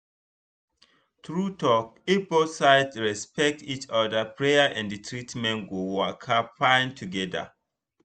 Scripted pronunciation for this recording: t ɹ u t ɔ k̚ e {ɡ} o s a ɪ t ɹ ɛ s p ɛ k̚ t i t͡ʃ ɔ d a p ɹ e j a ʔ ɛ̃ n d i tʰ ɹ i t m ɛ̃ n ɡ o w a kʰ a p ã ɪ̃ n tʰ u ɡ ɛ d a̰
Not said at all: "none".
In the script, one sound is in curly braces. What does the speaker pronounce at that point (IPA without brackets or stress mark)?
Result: b